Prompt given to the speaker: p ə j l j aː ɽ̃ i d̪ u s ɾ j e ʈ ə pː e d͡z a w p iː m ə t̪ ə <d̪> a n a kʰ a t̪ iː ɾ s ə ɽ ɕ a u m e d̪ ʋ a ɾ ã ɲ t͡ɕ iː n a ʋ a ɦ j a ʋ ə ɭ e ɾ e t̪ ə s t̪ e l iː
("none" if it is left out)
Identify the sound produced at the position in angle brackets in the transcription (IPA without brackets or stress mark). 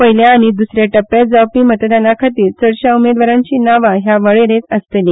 d̪